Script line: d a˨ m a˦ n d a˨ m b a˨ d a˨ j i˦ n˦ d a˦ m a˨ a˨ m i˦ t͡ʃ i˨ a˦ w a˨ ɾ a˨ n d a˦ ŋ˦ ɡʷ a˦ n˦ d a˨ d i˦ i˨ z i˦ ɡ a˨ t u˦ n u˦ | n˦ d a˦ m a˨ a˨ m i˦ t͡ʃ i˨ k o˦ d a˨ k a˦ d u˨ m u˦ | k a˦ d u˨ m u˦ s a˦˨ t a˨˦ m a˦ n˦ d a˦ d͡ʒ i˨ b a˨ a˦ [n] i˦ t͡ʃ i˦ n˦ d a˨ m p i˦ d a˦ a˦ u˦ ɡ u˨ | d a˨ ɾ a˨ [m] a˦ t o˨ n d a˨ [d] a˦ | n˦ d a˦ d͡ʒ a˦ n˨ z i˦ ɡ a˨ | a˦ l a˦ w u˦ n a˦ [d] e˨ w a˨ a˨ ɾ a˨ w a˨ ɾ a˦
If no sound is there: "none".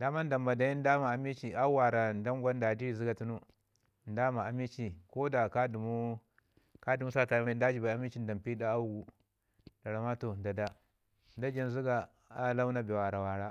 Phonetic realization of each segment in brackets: m, m, d, b

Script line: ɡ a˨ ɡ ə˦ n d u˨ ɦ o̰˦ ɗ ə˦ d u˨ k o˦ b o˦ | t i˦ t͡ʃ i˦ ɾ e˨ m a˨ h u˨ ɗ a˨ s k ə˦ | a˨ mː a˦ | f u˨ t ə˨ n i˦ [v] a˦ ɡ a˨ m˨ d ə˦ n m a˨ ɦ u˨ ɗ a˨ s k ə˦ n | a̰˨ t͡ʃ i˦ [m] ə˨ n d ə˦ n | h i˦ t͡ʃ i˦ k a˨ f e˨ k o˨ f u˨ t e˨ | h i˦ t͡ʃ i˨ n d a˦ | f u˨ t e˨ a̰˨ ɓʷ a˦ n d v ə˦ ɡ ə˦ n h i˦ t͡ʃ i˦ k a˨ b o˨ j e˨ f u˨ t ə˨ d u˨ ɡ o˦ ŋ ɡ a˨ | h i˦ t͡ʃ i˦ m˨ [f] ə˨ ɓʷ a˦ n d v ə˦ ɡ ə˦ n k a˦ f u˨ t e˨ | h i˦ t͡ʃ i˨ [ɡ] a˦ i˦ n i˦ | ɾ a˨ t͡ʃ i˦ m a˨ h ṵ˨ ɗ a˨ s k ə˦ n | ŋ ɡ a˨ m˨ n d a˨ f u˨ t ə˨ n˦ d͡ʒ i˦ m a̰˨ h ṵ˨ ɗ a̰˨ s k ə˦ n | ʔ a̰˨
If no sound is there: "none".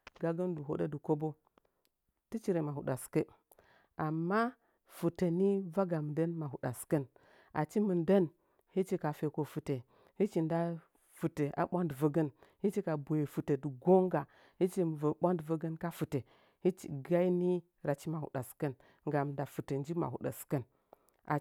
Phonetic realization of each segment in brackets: v, m, v, ɡ

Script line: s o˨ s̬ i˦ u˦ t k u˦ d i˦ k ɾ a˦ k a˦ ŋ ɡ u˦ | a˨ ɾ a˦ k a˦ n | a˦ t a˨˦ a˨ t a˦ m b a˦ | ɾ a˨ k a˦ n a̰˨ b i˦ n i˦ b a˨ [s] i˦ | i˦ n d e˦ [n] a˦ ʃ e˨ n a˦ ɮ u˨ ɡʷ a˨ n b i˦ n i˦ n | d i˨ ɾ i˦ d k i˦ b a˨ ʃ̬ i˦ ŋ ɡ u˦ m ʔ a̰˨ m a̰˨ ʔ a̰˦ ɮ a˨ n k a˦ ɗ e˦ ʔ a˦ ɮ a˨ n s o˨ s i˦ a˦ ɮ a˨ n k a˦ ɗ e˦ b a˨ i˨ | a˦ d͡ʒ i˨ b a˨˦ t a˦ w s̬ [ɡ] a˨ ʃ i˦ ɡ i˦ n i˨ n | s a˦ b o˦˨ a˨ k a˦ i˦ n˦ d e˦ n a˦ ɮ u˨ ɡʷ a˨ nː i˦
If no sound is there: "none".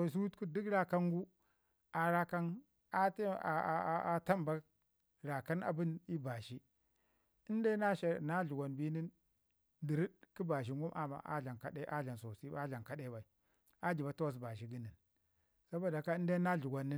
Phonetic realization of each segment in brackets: ʃ, n, b

